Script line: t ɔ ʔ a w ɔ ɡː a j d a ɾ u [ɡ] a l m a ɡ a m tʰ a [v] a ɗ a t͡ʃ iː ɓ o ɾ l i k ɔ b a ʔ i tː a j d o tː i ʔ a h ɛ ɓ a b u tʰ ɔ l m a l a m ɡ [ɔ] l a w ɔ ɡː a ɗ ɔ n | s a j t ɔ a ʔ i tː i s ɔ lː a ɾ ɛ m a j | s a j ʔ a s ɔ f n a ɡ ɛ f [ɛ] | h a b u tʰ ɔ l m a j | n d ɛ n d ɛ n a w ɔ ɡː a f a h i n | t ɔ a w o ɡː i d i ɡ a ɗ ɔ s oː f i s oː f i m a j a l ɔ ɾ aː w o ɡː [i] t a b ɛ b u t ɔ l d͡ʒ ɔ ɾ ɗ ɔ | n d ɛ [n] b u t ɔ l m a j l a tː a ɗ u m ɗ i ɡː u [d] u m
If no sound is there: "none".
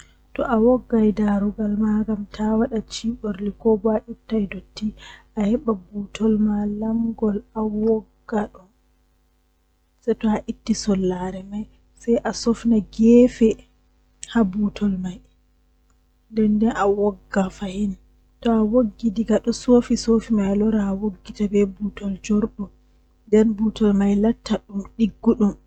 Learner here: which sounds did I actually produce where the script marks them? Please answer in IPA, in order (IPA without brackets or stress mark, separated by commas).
ɡ, w, ɔ, ɛ, i, n, ɗ